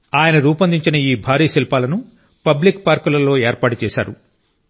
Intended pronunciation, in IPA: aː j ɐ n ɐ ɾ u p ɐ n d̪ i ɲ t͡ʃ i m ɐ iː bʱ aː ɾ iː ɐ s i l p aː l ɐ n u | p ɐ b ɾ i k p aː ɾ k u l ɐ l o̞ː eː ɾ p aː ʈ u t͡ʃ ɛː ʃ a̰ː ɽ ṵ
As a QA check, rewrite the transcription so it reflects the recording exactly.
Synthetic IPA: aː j ɐ n ɐ ɾ uː p ɐ n d̪ i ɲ t͡ʃ i n ɐ iː bʱ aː ɾ iː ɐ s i l p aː l ɐ n u | p ɐ b l i k p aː ɾ k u l ɐ l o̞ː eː ɾ p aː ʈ u t͡ʃ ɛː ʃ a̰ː ɾ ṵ